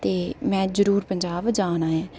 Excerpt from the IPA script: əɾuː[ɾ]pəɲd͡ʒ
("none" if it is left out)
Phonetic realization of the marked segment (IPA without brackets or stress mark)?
ɾ